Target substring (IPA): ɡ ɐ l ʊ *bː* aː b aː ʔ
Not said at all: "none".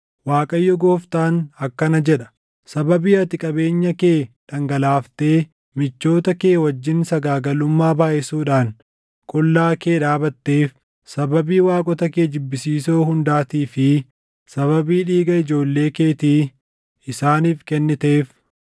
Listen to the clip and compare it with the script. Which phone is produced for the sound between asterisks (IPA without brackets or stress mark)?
mː